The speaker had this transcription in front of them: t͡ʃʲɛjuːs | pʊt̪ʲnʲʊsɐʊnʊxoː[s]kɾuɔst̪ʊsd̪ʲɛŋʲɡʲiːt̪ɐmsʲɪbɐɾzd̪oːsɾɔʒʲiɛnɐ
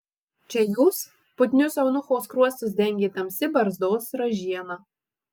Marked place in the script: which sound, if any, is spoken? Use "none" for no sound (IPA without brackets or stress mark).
s